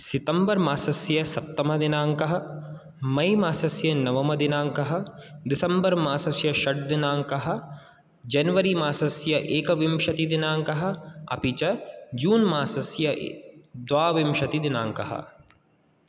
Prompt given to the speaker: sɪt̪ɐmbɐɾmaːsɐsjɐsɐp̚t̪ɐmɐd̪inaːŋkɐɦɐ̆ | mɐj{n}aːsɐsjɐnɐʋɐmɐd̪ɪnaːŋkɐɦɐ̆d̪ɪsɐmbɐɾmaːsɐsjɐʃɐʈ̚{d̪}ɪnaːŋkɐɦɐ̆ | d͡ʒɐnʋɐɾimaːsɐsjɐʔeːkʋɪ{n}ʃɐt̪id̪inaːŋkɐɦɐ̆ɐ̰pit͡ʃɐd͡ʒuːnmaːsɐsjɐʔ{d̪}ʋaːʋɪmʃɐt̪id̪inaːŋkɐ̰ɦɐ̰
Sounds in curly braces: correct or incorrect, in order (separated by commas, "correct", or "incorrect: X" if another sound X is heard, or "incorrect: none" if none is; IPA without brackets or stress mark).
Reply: incorrect: m, correct, incorrect: m, correct